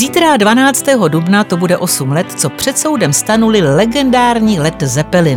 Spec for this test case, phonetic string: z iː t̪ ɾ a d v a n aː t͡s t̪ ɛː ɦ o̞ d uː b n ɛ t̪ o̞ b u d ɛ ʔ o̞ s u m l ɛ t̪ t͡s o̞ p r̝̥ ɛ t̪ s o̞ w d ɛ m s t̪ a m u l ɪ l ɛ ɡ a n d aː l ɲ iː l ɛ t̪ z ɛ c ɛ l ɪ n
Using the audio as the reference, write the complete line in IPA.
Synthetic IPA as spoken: z iː t̪ ɾ a d v a n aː t͡s t̪ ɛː ɦ o̞ d u b n a t̪ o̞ b u d ɛ ʔ o̞ s u m l ɛ t̪ t͡s o̞ p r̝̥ ɛ t̪ s o̞ w d ɛ m s t̪ a n u l ɪ l ɛ ɡ ɛ n d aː ɾ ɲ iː l ɛ t̪ z ɛ p ɛ l ɪ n